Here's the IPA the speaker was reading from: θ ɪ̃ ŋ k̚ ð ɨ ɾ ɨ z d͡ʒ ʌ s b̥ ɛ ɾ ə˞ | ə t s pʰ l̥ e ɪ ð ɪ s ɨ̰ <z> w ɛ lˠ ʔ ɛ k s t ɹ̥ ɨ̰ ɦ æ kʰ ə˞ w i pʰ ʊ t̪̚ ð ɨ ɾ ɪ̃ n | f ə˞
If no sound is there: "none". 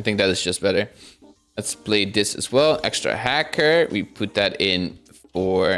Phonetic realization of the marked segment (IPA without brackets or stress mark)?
z